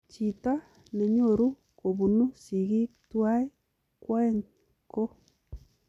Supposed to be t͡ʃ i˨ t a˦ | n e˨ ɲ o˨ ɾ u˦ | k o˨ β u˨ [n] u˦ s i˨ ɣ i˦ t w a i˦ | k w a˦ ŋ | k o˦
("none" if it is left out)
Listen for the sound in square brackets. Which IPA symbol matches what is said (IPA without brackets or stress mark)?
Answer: n